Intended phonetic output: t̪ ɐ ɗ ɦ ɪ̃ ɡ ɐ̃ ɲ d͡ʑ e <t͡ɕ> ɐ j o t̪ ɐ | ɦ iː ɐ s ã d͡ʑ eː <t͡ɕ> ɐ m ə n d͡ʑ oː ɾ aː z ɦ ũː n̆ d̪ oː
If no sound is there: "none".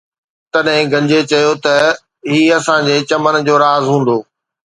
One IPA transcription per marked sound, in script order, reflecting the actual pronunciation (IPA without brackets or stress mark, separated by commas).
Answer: t͡ɕ, t͡ɕ